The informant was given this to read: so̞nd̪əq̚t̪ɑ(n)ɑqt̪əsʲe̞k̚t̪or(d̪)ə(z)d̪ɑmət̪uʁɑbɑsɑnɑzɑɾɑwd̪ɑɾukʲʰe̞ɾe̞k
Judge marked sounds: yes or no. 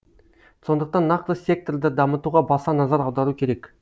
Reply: no, yes, no

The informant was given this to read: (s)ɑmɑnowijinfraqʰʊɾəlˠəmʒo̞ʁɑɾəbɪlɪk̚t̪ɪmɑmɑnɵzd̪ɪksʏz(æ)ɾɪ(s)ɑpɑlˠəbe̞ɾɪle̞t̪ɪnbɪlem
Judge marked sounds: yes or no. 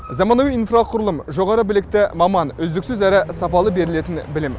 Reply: no, yes, yes

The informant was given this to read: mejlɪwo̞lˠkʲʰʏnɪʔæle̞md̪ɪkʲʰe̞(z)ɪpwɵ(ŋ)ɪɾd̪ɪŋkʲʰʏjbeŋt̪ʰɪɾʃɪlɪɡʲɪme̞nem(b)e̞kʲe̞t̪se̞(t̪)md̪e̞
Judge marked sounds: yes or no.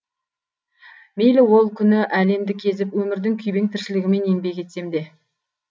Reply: yes, no, yes, no

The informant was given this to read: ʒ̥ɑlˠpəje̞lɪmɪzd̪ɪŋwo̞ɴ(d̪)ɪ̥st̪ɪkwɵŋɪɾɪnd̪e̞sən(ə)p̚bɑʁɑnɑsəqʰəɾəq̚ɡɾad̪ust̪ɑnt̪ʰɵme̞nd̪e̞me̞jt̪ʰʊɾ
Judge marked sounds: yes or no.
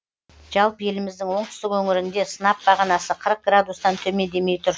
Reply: no, no

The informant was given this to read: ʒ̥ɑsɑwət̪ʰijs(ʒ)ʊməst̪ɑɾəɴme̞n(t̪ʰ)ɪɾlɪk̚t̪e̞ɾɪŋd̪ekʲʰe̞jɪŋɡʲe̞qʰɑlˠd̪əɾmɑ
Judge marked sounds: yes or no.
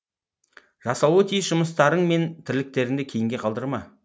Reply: yes, yes

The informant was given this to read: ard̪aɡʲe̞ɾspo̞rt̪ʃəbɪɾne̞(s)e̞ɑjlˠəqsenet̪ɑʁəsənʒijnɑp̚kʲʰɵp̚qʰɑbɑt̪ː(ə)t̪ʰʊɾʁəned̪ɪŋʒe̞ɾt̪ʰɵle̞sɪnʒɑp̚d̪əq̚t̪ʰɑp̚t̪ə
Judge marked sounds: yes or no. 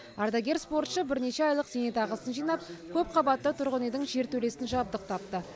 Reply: no, yes

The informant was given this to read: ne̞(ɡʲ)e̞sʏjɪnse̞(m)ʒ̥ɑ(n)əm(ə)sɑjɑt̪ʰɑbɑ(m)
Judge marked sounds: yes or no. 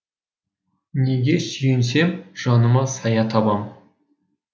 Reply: yes, yes, yes, no, yes

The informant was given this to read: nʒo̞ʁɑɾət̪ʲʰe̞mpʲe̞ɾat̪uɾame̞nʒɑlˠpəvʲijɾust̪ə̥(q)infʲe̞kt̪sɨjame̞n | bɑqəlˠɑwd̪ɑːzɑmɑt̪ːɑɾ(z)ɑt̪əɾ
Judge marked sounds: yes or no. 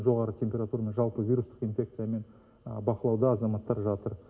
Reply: yes, no

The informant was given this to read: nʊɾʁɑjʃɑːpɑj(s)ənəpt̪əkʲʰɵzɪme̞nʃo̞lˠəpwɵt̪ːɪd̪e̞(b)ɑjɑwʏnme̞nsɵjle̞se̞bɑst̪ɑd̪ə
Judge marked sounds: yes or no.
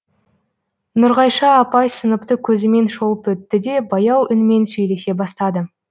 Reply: yes, yes

